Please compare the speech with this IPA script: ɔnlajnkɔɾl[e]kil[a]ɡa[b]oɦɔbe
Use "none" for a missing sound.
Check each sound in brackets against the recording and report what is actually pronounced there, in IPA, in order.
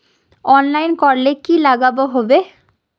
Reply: e, a, b

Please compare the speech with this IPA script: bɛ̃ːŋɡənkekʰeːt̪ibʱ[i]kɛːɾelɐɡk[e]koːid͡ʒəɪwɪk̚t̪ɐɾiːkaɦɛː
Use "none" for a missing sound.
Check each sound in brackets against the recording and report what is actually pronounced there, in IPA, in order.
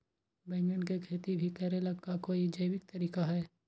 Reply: i, a

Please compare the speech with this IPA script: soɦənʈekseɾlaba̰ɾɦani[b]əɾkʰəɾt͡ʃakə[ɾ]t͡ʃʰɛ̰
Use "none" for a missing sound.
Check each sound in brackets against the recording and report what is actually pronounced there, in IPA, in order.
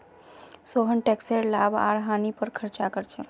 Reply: p, ɾ

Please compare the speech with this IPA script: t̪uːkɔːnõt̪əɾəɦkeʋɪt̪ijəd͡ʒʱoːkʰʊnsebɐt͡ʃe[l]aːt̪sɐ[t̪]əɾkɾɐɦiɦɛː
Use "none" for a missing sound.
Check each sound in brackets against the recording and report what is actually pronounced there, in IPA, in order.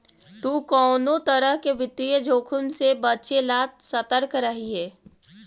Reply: l, t̪

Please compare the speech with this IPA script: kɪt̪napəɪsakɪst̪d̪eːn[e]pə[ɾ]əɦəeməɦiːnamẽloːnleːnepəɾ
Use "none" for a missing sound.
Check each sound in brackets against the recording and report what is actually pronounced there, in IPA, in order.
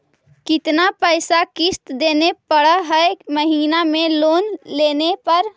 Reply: e, ɽ

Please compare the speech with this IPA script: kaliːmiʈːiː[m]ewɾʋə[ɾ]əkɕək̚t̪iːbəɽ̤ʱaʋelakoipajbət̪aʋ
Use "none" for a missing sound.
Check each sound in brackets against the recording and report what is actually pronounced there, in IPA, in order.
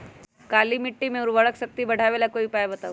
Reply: m, ɭ

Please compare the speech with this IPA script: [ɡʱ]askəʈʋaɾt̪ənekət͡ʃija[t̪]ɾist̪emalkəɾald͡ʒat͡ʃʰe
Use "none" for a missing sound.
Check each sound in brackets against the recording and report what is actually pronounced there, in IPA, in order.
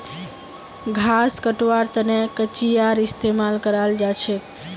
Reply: ɡʱ, none

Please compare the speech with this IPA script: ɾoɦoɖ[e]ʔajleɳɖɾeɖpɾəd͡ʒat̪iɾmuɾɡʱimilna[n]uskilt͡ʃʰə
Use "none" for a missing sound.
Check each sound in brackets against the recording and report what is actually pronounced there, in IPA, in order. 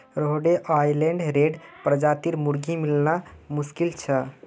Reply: e, m

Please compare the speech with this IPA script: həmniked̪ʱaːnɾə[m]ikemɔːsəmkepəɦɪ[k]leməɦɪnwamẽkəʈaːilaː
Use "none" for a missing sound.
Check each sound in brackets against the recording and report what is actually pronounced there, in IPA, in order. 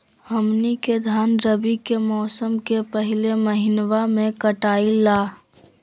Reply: b, none

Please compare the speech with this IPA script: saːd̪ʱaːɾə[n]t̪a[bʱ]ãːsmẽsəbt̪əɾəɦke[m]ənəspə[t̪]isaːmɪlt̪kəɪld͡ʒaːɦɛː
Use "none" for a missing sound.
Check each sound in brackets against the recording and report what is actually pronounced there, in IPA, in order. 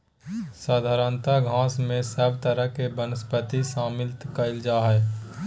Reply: n, ɡʱ, b, t̪

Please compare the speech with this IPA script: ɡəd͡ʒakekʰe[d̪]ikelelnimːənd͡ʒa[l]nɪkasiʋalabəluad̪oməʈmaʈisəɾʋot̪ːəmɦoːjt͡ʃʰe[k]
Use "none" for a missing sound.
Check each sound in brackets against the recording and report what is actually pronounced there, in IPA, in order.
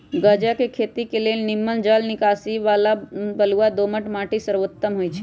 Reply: t̪, l, none

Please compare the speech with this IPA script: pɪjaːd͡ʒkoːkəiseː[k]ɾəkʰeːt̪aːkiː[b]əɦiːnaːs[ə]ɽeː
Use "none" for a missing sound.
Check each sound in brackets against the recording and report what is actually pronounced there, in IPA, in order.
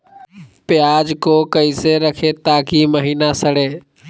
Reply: none, m, ə

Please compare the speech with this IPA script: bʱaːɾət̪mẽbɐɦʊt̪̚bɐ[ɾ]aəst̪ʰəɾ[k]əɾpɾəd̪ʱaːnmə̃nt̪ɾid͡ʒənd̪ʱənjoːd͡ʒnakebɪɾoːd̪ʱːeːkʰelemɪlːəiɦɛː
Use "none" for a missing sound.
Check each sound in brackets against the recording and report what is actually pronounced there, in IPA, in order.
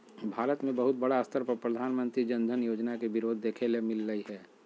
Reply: ɽ, p

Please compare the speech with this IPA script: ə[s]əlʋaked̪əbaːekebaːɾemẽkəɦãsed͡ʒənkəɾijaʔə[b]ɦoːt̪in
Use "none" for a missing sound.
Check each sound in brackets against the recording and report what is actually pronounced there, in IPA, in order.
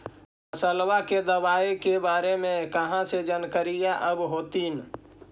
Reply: s, b

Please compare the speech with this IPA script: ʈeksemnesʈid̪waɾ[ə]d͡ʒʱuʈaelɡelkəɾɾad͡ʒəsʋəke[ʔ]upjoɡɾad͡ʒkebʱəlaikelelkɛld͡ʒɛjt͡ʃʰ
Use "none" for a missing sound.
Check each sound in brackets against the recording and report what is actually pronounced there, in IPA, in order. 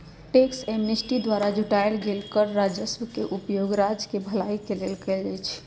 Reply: a, ʔ

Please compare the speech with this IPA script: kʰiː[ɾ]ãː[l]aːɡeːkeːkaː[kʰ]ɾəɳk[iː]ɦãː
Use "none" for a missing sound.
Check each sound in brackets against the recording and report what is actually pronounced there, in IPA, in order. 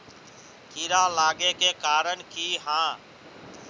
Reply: ɾ, l, none, iː

